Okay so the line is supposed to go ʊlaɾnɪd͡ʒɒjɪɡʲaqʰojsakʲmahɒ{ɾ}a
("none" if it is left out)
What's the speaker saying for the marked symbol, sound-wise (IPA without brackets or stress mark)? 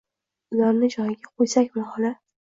l